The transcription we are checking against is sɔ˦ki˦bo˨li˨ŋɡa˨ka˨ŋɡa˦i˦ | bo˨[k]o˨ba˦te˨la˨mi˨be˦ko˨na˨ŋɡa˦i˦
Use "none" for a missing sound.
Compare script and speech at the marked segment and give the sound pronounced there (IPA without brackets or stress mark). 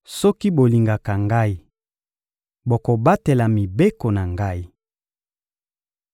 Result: k